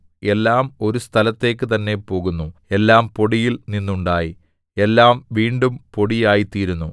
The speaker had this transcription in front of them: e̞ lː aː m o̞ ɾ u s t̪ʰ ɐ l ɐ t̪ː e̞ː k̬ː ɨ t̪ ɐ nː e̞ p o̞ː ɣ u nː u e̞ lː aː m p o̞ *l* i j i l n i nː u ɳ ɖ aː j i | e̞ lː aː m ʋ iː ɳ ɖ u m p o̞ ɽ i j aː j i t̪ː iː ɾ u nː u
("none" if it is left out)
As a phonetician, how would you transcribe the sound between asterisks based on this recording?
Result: ɽ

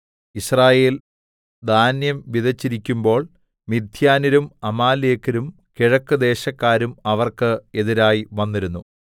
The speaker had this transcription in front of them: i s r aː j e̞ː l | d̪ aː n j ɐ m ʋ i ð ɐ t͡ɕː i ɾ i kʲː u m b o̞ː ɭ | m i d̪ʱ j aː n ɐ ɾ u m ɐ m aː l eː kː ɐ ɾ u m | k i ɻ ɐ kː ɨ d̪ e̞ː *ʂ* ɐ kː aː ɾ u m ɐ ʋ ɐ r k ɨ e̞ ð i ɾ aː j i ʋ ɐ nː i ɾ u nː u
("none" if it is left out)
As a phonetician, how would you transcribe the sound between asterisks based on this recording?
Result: ɕ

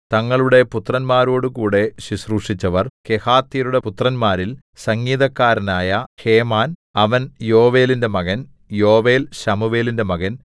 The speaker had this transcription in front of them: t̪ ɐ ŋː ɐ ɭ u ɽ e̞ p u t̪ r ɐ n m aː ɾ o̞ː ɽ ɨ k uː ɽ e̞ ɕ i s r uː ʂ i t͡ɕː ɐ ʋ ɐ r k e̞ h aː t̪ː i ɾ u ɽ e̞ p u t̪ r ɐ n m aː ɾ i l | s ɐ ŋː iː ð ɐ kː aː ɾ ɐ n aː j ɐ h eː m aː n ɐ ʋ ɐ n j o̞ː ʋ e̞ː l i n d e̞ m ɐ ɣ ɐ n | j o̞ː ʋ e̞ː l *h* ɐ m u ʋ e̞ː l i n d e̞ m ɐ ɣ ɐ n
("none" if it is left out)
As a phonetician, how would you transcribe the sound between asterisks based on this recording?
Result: ɕ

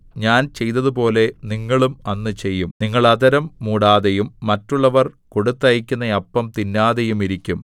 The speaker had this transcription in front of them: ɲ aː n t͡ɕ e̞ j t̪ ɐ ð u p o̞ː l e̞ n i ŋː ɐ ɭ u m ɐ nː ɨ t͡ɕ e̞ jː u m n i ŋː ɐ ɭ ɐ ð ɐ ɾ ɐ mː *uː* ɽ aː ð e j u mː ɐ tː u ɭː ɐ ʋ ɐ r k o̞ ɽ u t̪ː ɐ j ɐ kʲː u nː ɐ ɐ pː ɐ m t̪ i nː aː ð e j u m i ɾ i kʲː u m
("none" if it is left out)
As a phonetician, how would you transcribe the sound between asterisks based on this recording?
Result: uː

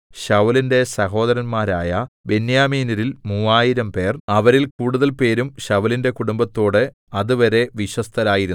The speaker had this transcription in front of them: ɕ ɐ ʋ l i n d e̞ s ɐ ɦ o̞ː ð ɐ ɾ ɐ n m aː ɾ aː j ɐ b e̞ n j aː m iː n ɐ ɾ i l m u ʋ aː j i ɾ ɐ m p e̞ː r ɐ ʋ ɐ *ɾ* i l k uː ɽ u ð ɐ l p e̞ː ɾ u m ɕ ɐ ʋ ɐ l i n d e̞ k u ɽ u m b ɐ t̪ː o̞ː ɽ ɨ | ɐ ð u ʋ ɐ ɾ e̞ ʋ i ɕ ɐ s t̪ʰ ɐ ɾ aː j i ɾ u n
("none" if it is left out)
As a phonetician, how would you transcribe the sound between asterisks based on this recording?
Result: ɾ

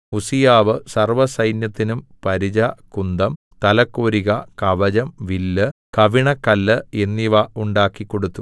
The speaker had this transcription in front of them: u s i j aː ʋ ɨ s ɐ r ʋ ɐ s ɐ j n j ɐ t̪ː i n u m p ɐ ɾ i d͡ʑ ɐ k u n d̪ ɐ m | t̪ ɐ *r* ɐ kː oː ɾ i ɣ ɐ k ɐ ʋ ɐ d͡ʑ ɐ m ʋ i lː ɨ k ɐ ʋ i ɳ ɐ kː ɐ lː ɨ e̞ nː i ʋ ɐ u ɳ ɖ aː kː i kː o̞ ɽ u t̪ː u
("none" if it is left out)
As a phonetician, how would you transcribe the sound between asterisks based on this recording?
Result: l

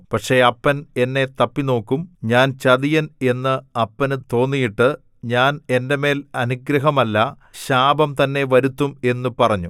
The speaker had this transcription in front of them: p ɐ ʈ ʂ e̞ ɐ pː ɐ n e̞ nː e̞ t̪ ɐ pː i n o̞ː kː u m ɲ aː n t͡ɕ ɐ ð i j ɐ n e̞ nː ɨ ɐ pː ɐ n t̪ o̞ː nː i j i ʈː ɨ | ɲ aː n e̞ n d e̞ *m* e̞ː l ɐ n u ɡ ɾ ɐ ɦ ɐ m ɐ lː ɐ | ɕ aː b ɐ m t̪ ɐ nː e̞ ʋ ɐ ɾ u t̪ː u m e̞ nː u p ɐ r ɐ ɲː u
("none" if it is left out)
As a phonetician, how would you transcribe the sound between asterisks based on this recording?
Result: m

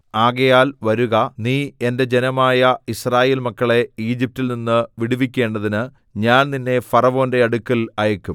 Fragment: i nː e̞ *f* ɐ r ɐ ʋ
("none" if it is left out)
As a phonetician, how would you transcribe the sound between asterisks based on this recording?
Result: f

